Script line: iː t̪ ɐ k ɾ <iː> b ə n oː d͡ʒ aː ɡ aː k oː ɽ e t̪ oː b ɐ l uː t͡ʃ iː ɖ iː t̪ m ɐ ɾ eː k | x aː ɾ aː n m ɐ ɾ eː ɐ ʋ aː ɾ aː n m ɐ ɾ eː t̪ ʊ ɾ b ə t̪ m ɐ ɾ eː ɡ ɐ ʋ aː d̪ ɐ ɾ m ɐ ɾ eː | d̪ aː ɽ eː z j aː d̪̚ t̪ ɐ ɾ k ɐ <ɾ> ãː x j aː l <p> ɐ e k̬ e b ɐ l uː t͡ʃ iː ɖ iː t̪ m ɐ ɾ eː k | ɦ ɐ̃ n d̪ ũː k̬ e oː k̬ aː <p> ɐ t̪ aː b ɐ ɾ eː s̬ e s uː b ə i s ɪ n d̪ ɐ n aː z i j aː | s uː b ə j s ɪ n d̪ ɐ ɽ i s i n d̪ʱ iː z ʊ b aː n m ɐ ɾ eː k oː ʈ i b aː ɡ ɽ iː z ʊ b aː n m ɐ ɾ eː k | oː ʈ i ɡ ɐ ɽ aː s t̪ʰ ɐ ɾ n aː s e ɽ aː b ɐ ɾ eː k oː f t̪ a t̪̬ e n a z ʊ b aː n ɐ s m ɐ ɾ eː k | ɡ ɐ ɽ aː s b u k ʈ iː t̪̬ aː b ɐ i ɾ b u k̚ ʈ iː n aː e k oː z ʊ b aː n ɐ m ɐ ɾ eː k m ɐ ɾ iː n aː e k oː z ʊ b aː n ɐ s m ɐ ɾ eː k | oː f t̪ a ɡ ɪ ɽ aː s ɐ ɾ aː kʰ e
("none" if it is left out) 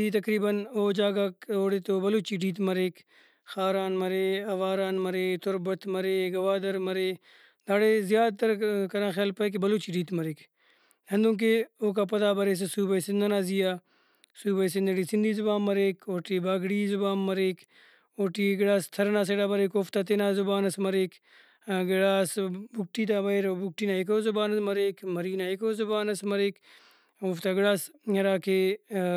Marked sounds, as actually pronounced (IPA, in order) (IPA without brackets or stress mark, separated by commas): iː, ɾ, p, p